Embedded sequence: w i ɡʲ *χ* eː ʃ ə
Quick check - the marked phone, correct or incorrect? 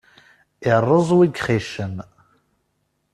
correct